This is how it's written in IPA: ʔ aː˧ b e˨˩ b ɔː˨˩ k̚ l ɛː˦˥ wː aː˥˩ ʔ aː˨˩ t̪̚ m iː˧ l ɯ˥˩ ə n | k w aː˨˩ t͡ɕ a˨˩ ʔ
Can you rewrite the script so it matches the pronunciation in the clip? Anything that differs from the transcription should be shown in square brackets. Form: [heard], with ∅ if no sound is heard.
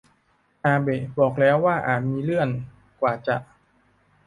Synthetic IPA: ʔ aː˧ b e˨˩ b ɔː˨˩ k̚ l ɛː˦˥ wː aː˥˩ ʔ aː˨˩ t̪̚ m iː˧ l ɯ˥˩ ə n | k w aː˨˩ t͡ɕ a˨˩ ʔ